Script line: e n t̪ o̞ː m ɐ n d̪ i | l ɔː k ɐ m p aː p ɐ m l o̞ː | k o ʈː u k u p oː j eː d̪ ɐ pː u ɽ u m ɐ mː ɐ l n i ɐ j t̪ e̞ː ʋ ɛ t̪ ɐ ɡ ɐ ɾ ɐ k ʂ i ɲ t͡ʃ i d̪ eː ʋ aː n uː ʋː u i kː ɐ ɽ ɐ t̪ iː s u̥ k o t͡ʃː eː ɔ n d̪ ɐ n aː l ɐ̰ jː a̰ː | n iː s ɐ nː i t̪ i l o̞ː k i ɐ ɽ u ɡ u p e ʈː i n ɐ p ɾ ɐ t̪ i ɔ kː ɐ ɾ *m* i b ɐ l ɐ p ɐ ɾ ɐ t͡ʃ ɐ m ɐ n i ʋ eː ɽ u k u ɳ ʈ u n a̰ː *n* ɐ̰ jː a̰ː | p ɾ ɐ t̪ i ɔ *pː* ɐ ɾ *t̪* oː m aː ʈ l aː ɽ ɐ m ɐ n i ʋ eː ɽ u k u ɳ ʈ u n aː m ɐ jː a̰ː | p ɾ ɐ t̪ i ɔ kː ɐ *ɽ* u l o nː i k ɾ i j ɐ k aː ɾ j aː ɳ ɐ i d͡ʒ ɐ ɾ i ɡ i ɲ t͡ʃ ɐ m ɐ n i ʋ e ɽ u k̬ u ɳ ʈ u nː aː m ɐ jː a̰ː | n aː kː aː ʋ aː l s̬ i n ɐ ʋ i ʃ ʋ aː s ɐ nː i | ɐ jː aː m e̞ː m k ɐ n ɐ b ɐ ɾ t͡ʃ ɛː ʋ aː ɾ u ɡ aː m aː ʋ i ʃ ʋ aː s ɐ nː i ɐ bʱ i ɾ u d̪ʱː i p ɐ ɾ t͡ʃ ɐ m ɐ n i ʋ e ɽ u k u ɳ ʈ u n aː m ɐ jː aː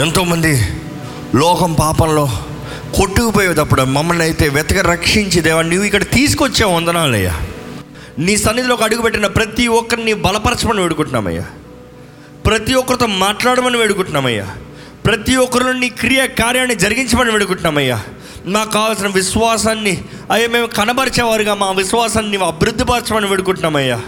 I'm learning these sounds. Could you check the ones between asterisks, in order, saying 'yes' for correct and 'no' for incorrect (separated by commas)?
no, no, no, yes, no